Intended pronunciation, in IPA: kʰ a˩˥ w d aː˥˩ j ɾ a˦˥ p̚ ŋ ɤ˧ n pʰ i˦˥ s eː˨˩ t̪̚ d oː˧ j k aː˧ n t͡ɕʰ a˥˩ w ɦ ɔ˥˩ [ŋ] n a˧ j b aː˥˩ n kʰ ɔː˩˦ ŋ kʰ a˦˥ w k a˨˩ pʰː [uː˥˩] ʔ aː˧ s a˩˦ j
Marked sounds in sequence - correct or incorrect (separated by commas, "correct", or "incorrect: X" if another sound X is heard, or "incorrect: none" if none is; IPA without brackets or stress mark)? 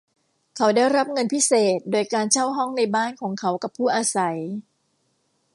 correct, correct